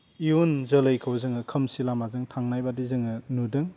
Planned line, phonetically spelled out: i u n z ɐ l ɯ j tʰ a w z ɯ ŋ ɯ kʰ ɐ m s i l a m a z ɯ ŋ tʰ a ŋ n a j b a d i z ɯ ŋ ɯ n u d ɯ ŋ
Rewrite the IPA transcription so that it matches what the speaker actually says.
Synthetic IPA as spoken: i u n z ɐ l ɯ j kʰ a w z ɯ ŋ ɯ kʰ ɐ m s i l a m a z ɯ ŋ tʰ a ŋ n a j b a d i z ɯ ŋ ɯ n u d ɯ ŋ